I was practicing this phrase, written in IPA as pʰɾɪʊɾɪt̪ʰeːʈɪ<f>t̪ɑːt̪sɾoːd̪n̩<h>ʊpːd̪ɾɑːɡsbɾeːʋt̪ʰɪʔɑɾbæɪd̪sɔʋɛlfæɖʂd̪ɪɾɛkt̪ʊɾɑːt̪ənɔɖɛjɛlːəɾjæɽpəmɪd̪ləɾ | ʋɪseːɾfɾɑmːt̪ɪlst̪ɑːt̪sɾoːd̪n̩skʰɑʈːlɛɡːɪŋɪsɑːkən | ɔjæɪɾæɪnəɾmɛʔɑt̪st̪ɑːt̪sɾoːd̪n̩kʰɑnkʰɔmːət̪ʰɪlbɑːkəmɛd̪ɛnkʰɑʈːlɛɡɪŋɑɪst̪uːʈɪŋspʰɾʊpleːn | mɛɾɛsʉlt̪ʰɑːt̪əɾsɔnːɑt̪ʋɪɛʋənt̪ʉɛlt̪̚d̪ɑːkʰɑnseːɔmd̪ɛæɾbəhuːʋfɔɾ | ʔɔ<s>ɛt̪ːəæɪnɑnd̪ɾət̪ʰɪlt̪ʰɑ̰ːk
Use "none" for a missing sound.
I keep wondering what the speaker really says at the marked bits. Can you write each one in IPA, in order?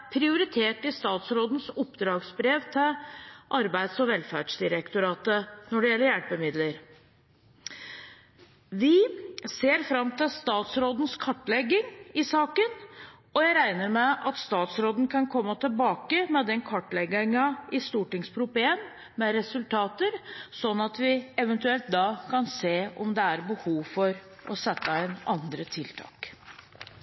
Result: s, s, s

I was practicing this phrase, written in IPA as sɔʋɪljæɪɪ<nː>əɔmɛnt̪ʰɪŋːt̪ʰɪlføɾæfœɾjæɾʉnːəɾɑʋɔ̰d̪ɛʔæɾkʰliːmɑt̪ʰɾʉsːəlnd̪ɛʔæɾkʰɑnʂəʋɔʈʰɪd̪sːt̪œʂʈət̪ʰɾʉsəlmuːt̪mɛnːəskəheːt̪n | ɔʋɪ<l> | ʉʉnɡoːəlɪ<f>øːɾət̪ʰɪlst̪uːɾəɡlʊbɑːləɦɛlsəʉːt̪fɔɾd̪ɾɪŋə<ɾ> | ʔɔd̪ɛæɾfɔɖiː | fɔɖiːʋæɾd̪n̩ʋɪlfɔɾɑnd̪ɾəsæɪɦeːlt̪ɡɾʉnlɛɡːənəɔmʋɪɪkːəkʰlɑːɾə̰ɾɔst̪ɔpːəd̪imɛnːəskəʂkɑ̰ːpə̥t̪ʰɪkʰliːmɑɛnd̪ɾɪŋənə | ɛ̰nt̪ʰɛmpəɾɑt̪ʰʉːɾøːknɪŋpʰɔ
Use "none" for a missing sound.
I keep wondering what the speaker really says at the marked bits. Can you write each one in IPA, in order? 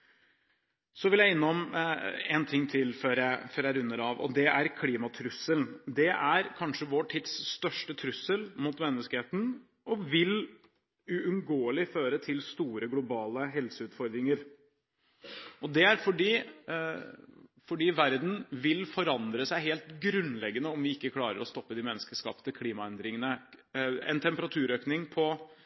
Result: nː, l, f, ɾ

